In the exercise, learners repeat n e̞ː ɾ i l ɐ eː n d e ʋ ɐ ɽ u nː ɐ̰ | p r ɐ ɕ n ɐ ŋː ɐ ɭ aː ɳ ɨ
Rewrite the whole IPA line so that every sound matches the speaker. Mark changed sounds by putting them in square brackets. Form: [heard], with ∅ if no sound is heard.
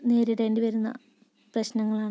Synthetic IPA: n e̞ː ɾ i [ɽ] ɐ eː n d [i] ʋ ɐ [ɾ] u nː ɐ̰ | p r ɐ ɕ n ɐ ŋː ɐ ɭ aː ɳ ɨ